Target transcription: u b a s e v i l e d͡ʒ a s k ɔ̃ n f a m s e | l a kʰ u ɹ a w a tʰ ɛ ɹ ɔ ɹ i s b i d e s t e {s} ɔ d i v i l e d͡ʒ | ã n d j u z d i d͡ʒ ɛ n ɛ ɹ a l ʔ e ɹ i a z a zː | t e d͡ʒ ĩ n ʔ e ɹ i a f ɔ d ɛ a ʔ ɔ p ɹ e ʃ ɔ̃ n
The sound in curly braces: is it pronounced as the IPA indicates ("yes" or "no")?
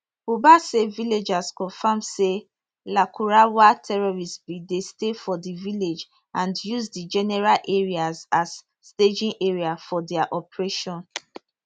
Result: no